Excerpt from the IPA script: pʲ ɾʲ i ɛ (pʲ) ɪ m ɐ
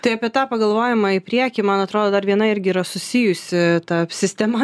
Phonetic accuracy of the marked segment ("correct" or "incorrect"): incorrect